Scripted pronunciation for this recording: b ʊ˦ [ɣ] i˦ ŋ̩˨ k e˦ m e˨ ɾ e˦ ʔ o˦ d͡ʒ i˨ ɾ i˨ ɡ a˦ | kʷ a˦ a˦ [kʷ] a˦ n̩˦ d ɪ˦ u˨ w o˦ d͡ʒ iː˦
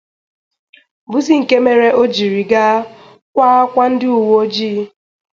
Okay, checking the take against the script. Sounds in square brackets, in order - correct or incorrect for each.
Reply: incorrect, correct

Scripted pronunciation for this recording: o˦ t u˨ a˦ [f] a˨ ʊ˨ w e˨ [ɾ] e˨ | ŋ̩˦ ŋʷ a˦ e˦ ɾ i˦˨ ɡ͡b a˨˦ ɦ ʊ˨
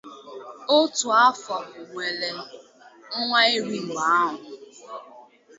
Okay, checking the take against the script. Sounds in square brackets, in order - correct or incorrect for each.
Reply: correct, incorrect

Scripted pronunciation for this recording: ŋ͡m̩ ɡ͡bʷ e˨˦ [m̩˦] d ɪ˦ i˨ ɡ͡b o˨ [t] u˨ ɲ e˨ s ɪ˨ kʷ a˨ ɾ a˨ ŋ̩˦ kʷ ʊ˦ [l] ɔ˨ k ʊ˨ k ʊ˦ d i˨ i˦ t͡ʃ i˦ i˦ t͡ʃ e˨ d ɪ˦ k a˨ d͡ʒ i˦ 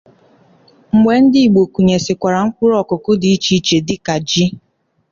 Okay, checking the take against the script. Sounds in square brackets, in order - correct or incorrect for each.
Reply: incorrect, incorrect, incorrect

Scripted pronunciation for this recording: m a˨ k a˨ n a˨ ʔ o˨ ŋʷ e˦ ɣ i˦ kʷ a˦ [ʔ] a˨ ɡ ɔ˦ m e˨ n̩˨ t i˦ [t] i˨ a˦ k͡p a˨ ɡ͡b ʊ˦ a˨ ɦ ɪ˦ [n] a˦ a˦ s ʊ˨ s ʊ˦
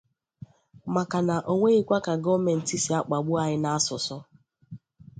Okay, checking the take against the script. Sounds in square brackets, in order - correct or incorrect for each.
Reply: incorrect, incorrect, correct

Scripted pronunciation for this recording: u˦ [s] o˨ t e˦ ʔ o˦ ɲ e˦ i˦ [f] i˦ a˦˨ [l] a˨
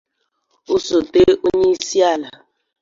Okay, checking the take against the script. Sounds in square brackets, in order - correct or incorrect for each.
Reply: correct, incorrect, correct

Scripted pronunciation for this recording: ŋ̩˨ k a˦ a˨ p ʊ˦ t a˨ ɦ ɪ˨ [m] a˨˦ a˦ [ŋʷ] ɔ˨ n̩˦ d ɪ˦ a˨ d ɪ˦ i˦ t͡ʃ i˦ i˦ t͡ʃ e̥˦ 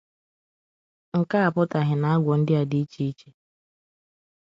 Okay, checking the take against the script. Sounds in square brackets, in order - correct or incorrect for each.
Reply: incorrect, incorrect

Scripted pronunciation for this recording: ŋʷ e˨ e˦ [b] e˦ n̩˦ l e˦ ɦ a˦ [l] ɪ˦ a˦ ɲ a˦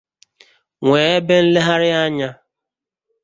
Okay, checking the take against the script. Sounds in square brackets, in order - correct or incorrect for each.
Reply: correct, incorrect

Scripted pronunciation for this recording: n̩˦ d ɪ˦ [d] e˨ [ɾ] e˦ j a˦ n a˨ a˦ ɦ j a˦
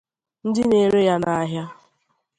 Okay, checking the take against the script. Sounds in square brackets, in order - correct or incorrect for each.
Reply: incorrect, correct

